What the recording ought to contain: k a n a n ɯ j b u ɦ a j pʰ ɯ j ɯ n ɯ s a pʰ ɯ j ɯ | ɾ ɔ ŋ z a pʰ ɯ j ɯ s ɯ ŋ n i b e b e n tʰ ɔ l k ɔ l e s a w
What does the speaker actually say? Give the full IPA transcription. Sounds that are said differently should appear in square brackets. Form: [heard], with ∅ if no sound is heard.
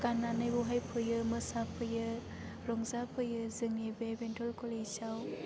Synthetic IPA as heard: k a n a n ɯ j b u ɦ a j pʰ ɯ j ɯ [m] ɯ s a pʰ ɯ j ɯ | ɾ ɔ ŋ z a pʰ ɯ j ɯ [z] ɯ ŋ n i b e b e n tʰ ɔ l k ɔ l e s a w